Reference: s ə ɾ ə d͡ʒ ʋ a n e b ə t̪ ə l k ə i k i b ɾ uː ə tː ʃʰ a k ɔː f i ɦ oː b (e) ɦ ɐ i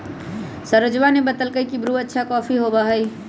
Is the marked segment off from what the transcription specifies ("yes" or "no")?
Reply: yes